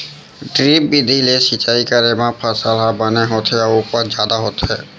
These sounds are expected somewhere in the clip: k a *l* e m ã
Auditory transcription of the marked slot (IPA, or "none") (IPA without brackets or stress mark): ɾ